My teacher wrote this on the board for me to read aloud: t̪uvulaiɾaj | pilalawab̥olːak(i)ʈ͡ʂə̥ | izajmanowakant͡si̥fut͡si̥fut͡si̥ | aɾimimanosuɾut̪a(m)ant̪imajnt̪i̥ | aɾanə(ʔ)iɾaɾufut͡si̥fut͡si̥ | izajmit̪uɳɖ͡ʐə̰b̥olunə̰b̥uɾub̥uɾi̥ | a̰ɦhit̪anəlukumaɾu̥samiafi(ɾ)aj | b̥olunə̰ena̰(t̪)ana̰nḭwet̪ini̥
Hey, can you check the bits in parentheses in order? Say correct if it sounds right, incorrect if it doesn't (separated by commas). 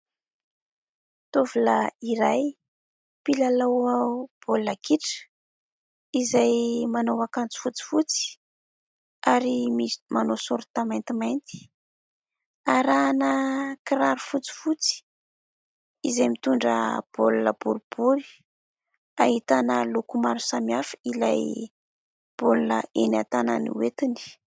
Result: correct, correct, incorrect, incorrect, correct